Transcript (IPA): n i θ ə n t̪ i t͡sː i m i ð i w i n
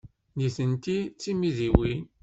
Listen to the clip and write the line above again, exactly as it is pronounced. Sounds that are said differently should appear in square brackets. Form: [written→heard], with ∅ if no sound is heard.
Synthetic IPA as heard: n i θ ə n t̪ i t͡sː i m i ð i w i n